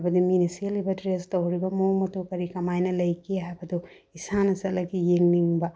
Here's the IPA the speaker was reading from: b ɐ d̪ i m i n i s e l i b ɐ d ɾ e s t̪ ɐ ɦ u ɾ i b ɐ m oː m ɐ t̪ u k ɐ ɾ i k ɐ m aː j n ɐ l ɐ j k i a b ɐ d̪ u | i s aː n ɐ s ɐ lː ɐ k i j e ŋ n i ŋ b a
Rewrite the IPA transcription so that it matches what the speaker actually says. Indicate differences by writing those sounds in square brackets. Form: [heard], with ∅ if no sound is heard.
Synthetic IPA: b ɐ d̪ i m i n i s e l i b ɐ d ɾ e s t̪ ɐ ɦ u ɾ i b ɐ m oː m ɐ t̪ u k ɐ ɾ i k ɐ m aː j n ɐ l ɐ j k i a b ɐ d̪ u | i s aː n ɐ s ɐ [l] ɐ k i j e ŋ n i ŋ b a